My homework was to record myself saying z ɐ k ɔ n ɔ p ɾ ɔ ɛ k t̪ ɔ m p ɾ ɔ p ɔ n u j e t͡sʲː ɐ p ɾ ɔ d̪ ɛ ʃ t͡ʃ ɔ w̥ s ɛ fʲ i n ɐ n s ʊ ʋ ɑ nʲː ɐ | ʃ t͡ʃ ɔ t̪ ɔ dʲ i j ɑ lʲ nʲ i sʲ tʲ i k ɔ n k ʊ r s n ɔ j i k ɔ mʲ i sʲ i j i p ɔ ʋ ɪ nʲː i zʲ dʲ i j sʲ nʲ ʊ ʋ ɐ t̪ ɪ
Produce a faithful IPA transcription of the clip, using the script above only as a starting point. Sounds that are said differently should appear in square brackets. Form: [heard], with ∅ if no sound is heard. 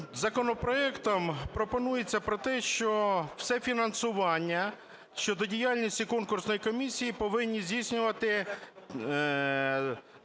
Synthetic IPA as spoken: z ɐ k ɔ n ɔ p ɾ ɔ ɛ k t̪ ɔ m p ɾ ɔ p ɔ n u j e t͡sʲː ɐ p ɾ ɔ [t̪] ɛ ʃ t͡ʃ ɔ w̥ s ɛ fʲ i n ɐ n s ʊ ʋ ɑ nʲː ɐ | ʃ t͡ʃ ɔ [d̪] ɔ dʲ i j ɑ lʲ nʲ i sʲ tʲ i k ɔ n k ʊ r s n ɔ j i k ɔ mʲ i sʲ i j i p ɔ ʋ ɪ nʲː i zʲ dʲ i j sʲ nʲ ʊ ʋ ɐ t̪ ɪ